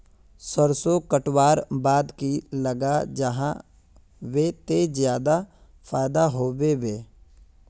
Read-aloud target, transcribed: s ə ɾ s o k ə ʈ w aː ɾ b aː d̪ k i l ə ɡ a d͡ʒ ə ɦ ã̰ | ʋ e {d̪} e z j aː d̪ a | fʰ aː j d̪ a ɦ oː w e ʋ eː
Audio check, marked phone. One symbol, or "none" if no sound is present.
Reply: t̪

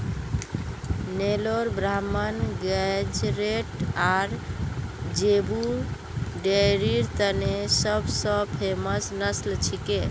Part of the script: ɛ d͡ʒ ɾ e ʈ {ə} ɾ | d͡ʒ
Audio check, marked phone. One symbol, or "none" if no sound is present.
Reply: a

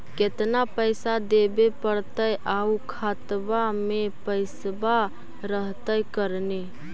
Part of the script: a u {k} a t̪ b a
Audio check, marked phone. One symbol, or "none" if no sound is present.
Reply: kʰ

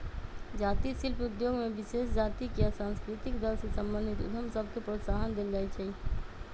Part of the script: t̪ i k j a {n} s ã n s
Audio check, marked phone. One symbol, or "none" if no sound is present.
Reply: none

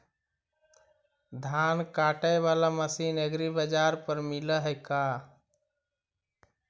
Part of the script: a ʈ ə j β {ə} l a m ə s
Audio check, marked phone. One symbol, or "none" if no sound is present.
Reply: a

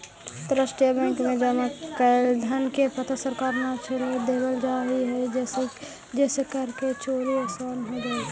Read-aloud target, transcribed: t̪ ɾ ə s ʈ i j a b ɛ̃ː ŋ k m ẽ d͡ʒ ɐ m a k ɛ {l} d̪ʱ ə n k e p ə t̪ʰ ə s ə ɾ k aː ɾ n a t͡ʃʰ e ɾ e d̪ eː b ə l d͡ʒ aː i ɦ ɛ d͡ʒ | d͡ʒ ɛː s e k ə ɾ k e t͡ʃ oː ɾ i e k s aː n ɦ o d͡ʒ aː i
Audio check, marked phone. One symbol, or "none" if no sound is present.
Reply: l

